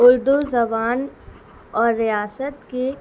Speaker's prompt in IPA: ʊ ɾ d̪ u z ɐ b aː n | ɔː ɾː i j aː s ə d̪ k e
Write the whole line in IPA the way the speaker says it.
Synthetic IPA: ʊ ɾ d̪ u z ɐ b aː n | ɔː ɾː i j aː s ə t̪ k e